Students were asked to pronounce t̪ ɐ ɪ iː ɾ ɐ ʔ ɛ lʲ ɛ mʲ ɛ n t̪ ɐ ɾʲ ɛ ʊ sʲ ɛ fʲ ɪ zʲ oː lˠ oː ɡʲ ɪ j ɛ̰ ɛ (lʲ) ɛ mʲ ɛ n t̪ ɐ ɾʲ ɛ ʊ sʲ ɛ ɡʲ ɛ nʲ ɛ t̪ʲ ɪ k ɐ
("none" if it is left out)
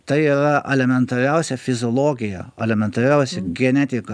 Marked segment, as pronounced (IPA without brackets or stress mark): lʲ